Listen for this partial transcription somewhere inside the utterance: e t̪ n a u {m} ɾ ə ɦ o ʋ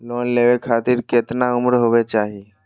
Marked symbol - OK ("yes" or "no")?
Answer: yes